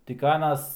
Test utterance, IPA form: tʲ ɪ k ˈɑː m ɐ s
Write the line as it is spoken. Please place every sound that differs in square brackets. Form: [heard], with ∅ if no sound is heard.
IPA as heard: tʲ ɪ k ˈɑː [n] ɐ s